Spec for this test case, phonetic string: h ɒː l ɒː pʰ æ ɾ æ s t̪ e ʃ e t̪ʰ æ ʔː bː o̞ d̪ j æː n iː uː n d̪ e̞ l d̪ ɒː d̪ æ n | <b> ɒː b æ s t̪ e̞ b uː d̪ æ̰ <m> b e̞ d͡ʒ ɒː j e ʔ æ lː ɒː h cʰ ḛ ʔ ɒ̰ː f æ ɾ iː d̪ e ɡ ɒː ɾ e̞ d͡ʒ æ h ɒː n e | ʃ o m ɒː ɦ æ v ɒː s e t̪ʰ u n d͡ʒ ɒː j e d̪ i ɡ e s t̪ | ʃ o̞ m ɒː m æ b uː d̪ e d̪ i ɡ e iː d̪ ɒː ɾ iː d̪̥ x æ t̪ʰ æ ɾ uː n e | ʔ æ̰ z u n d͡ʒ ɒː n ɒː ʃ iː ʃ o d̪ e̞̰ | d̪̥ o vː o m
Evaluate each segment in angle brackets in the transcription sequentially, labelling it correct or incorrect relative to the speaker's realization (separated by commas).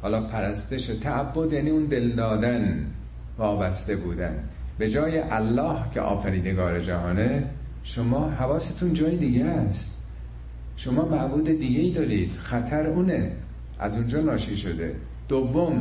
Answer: incorrect, incorrect